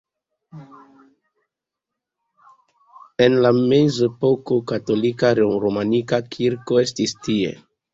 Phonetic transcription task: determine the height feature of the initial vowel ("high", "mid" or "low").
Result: mid